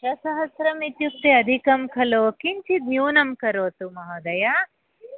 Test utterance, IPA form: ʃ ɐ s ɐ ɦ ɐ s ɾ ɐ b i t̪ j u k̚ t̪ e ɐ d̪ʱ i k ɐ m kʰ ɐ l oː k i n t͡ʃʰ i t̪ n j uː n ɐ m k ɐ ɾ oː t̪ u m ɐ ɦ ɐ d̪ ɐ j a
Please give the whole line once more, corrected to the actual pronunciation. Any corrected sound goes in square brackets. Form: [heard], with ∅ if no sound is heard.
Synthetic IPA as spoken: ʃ ɐ s ɐ ɦ ɐ s ɾ ɐ [m] i t̪ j u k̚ t̪ e ɐ d̪ʱ i k ɐ m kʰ ɐ l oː k i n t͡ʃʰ i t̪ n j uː n ɐ m k ɐ ɾ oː t̪ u m ɐ ɦ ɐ d̪ ɐ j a